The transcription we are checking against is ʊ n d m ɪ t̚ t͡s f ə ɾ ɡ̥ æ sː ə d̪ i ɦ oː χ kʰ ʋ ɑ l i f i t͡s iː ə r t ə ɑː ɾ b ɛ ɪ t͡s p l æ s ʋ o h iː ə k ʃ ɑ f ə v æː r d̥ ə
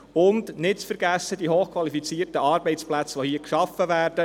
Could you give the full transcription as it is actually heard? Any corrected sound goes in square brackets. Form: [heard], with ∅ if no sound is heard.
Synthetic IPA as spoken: ʊ n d [n] ɪ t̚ t͡s f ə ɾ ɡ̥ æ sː ə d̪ i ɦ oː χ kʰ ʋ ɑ l i f i t͡s iː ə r t ə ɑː ɾ b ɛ ɪ t͡s p l æ [t͡s] ʋ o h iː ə k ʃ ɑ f ə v æː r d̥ ə